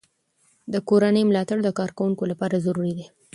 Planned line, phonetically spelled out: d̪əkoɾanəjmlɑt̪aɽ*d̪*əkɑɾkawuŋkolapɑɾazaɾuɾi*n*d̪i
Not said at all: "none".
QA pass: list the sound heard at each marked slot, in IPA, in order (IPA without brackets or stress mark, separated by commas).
d̪, none